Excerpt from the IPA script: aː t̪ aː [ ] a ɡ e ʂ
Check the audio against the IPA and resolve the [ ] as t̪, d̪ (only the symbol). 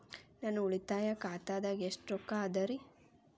d̪